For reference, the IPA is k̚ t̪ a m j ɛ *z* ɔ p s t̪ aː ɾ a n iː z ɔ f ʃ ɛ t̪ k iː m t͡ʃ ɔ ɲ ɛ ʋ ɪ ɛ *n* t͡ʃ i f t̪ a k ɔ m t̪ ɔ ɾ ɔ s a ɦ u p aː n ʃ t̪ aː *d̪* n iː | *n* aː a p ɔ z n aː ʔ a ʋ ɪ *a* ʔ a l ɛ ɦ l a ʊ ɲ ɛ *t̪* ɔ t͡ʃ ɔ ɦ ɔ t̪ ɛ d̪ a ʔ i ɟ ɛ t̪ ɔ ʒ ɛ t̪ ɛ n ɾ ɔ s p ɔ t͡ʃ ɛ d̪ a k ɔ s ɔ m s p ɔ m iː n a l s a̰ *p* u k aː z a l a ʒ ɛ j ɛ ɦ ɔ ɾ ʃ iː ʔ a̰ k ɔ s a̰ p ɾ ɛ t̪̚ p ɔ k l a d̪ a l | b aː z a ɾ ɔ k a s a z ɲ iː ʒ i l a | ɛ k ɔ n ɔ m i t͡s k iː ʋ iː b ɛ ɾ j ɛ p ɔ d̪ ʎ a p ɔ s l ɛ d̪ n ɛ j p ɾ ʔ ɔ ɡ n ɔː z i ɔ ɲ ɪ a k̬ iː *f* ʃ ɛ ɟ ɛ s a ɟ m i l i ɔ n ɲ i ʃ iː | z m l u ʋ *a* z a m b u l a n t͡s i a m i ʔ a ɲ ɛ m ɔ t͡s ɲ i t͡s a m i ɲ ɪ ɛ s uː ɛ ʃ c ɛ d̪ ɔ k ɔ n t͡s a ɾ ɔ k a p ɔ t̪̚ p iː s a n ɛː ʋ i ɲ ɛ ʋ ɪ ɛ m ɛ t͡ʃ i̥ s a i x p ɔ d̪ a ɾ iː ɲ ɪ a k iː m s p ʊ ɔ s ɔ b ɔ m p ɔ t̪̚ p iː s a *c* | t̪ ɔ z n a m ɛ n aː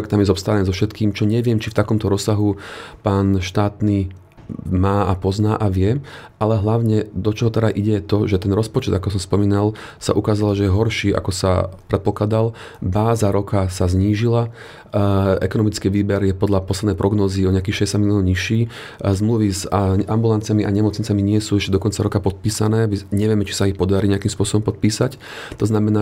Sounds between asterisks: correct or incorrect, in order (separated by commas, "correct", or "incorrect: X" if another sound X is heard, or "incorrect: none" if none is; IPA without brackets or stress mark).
correct, incorrect: m, incorrect: t̪, incorrect: m, incorrect: ɛ, incorrect: d̪, incorrect: ʔ, incorrect: x, incorrect: i, correct